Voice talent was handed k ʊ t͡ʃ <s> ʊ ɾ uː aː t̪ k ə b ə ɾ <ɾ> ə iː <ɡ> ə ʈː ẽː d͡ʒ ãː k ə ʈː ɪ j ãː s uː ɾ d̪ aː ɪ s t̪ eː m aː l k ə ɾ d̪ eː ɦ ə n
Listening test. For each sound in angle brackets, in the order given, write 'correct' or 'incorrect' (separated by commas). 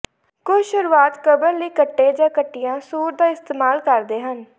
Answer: incorrect, incorrect, incorrect